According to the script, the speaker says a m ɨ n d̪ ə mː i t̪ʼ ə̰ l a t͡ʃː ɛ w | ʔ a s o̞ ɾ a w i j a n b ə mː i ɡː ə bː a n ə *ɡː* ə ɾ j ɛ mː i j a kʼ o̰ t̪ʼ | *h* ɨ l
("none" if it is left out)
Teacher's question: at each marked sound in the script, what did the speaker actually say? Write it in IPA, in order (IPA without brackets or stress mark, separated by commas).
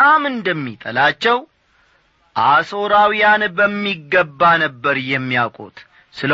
bː, s